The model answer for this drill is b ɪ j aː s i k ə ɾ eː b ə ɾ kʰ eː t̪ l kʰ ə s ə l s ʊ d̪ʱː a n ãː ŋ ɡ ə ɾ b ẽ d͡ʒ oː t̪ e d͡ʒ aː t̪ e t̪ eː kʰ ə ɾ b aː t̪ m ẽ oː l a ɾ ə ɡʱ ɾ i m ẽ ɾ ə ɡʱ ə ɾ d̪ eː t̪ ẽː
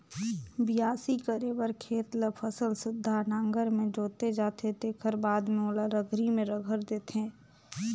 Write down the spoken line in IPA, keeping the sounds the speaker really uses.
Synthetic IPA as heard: b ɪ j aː s i k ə ɾ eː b ə ɾ kʰ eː t̪ l pʰ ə s ə l s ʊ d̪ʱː a n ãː ŋ ɡ ə ɾ m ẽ d͡ʒ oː t̪ e d͡ʒ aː t̪ e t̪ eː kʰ ə ɾ b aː d̪ m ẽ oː l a ɾ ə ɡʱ ɾ i m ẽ ɾ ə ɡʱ ə ɾ d̪ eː t̪ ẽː